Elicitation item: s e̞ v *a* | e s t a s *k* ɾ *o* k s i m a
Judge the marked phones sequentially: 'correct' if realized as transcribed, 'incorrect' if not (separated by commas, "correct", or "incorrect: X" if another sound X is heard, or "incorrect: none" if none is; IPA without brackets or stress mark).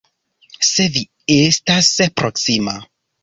incorrect: i, incorrect: p, correct